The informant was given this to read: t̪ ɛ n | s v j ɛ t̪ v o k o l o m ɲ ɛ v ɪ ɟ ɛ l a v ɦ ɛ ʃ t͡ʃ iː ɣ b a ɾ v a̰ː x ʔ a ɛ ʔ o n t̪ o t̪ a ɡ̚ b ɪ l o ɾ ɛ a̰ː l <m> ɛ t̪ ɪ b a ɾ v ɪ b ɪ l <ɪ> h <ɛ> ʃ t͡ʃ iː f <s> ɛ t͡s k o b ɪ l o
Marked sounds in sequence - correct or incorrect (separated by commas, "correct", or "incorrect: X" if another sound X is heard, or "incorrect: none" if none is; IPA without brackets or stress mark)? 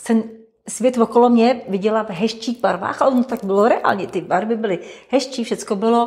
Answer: incorrect: ɲ, correct, correct, incorrect: ʃ